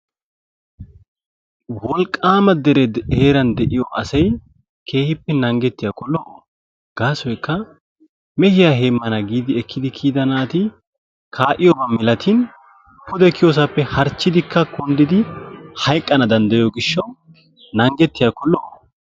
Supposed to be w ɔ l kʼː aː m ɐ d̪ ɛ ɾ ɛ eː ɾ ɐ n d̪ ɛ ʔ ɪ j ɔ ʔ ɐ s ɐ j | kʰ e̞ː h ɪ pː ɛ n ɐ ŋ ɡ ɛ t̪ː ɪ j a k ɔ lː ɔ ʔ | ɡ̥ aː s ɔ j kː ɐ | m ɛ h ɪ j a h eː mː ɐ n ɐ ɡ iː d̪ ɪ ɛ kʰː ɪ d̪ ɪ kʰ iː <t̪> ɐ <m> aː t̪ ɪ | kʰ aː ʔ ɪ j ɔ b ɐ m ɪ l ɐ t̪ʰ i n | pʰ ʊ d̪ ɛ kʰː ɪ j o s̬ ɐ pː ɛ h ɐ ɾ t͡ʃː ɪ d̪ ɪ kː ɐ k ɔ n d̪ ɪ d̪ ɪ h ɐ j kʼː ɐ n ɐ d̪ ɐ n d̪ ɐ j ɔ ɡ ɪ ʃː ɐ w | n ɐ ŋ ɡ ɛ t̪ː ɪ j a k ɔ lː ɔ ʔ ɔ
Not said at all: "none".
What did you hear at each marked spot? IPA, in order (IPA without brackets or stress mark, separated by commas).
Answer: d̪, n